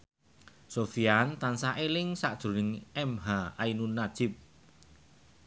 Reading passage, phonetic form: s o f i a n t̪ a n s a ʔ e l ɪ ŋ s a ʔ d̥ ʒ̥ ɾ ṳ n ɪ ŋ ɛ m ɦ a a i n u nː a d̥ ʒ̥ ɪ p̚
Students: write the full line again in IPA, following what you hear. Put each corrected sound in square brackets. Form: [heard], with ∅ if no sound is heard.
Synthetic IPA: s o f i a n t̪ a n s a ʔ e l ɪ ŋ s a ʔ d̥ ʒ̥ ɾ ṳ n ɪ ŋ ɛ m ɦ a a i n u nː a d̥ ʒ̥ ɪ p̚